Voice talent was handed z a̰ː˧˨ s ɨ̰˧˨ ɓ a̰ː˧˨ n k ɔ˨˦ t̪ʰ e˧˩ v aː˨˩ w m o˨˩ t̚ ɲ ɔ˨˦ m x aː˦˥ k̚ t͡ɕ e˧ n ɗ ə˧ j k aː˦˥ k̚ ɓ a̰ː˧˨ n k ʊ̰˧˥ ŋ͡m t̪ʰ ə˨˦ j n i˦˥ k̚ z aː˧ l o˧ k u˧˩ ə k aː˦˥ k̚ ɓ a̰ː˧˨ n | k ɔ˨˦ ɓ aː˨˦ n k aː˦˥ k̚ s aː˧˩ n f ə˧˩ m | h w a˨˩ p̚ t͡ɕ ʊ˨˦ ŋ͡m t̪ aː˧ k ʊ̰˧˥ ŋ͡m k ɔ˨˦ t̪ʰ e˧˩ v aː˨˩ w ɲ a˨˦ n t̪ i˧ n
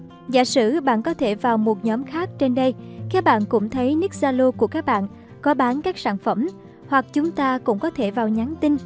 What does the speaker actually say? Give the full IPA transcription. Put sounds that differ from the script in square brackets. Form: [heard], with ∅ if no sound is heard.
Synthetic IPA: z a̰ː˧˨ s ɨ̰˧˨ ɓ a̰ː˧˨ n k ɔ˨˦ t̪ʰ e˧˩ v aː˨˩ w m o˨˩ t̚ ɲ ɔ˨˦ m x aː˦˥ k̚ t͡ɕ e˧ n ɗ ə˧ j k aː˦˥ k̚ ɓ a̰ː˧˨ n k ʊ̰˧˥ ŋ͡m t̪ʰ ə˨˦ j n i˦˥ k̚ z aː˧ l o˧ k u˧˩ ə k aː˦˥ k̚ ɓ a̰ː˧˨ n | k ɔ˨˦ ɓ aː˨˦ n k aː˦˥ k̚ s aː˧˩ n f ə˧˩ m | h w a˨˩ [k̚] t͡ɕ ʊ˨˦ ŋ͡m t̪ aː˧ k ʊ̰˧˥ ŋ͡m k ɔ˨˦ t̪ʰ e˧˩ v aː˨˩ w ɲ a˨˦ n t̪ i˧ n